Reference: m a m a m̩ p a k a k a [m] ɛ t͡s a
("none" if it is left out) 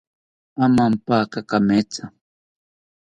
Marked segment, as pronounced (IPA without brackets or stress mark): m